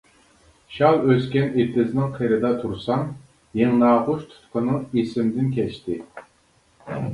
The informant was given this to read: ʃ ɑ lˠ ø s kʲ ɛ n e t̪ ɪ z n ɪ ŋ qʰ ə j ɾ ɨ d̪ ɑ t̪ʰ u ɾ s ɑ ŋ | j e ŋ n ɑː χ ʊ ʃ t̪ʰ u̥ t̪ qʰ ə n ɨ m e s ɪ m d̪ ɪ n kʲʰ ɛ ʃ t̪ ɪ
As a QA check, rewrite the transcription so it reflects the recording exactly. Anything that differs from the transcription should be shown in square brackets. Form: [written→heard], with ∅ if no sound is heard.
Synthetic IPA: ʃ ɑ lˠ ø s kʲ ɛ n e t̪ ɪ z n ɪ ŋ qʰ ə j ɾ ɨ d̪ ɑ t̪ʰ u ɾ s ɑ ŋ | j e ŋ n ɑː [χ→ʁ] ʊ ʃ t̪ʰ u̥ t̪ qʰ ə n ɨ [m→ŋ] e s ɪ m d̪ ɪ n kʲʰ ɛ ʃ t̪ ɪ